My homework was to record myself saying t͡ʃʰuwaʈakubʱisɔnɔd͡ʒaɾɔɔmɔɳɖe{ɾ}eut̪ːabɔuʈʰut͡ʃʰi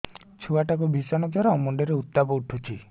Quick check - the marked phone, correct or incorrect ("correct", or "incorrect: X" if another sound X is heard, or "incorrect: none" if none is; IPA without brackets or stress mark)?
correct